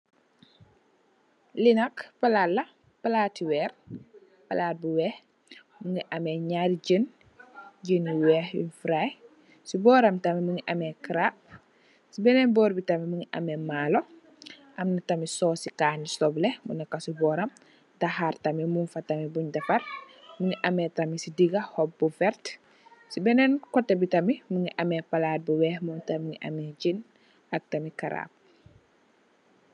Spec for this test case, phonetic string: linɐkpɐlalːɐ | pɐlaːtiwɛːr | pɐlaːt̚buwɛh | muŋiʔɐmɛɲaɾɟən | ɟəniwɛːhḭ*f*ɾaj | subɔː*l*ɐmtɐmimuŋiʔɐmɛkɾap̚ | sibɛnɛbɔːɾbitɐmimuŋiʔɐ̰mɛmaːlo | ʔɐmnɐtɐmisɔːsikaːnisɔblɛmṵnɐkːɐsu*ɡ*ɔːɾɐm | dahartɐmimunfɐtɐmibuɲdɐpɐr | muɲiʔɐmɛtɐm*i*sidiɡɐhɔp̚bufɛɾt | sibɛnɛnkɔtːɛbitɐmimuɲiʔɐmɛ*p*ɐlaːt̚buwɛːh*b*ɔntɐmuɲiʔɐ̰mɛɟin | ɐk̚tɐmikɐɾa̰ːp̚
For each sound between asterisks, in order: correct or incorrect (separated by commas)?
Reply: correct, incorrect, incorrect, correct, correct, incorrect